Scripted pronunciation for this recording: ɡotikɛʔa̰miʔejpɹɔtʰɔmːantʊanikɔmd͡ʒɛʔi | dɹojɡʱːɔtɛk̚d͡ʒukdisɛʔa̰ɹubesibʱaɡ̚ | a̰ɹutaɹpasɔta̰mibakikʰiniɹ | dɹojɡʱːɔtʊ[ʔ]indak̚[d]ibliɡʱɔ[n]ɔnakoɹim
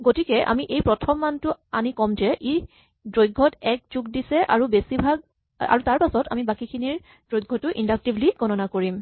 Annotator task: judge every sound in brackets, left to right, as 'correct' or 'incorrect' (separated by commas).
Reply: correct, incorrect, correct